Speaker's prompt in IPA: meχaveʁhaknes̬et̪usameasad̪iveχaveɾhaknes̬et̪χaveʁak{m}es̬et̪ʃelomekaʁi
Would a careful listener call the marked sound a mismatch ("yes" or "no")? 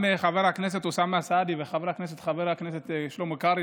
yes